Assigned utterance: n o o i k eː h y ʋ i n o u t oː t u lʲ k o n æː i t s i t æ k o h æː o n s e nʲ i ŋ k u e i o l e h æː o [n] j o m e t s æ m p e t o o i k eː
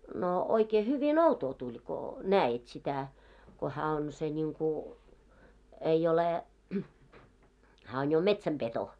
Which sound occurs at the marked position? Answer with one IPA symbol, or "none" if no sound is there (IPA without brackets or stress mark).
n